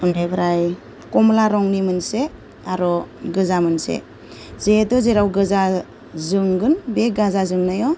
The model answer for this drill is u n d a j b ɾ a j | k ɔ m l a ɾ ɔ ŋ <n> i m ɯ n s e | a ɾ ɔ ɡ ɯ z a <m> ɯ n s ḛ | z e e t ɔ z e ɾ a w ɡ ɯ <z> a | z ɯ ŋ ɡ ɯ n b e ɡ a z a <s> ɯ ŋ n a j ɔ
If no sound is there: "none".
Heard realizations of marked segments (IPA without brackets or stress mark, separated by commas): n, m, z, z